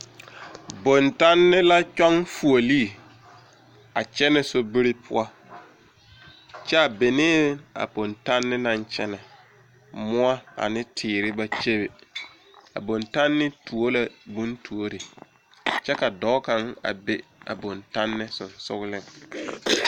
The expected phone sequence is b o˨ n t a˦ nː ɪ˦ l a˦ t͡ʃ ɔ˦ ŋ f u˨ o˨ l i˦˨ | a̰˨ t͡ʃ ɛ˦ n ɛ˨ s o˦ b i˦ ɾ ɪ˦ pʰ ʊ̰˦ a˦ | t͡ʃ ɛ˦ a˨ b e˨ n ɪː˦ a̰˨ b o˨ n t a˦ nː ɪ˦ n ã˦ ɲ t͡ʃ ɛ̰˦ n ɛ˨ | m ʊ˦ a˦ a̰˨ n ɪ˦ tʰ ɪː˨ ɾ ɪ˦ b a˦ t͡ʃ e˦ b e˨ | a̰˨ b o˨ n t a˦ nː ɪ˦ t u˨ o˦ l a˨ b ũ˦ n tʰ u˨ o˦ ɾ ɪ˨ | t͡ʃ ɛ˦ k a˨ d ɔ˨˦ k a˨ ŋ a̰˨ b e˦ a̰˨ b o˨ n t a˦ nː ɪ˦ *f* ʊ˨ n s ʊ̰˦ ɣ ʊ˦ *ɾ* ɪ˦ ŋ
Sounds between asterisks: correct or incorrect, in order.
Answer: incorrect, incorrect

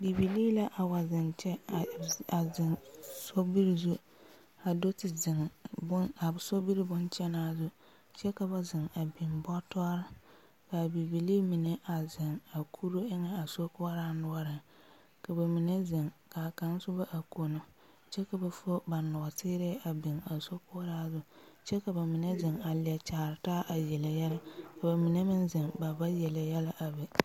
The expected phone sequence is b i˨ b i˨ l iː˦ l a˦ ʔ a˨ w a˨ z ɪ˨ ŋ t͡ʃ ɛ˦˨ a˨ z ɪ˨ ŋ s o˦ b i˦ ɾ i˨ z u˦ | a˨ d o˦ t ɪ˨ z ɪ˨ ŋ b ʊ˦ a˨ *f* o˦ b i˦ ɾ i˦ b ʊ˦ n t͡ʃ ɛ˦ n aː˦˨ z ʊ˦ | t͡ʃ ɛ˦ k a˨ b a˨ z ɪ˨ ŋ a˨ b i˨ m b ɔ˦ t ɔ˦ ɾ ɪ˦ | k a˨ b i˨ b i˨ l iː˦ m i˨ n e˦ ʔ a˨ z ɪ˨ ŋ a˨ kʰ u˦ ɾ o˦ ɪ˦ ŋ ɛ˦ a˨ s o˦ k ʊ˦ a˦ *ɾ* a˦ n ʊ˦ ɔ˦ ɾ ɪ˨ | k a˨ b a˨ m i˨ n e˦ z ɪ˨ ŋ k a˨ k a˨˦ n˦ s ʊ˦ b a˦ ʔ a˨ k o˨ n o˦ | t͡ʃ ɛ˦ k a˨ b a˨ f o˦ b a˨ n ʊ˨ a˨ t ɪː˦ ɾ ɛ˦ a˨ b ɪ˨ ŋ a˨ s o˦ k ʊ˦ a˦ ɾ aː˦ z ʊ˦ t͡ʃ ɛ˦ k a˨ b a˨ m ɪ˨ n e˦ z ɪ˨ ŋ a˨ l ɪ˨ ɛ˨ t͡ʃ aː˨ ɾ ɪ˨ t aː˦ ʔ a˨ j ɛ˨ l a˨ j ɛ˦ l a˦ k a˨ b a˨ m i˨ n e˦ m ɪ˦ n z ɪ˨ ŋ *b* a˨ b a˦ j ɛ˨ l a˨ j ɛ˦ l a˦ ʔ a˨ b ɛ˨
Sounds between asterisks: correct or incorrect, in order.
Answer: incorrect, correct, correct

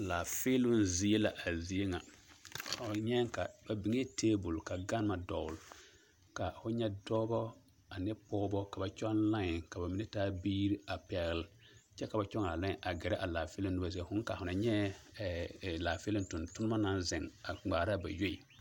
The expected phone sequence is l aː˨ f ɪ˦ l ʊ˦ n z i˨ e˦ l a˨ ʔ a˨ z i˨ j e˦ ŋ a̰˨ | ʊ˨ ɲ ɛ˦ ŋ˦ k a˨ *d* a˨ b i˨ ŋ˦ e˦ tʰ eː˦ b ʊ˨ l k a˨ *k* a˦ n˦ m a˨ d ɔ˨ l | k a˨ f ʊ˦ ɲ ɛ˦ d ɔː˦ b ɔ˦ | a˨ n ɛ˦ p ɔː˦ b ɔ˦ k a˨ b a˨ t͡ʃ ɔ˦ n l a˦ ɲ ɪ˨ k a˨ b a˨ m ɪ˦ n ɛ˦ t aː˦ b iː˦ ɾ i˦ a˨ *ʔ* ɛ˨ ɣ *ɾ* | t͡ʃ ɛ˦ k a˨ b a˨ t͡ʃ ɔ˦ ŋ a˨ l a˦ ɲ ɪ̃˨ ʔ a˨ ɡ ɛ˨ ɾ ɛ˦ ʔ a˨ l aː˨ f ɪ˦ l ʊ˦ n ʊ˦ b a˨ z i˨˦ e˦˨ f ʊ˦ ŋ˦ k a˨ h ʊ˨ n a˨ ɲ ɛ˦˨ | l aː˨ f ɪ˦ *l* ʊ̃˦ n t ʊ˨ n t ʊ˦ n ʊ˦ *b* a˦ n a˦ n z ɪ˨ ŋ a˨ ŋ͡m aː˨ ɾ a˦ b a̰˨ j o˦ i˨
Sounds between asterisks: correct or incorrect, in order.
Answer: incorrect, incorrect, incorrect, incorrect, correct, incorrect

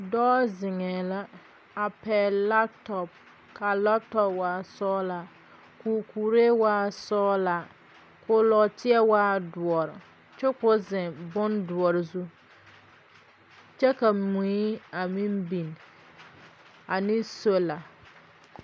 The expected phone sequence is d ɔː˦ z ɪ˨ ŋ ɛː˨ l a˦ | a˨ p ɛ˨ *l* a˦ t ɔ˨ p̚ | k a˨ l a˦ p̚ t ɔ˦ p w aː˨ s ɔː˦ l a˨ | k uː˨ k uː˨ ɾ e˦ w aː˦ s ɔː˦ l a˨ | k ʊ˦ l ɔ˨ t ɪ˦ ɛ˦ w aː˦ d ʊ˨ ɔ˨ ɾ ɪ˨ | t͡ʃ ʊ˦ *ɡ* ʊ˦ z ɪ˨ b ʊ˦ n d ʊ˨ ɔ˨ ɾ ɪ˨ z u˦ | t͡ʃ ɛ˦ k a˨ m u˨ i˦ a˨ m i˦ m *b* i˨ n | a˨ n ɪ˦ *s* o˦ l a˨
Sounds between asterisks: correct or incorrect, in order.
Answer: correct, incorrect, correct, correct

